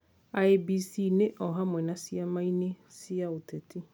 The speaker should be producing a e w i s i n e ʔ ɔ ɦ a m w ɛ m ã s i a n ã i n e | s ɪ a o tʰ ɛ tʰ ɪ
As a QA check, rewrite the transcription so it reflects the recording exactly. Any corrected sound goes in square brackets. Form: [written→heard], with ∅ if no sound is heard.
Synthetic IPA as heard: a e [w→b] i s i n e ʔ ɔ ɦ a m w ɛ [m→n] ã s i a [n→m] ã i n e | s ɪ a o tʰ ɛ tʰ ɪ